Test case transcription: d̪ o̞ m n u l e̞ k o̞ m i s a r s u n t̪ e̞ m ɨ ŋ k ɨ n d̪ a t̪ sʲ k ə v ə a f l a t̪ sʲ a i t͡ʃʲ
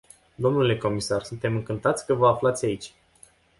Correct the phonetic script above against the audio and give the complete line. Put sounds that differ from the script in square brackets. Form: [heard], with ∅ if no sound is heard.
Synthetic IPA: d̪ o̞ m n u l e̞ k o̞ m i s a r s u n t̪ e̞ m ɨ ŋ k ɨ n [t̪] a t̪ sʲ k ə v ə a f l a t̪ sʲ a i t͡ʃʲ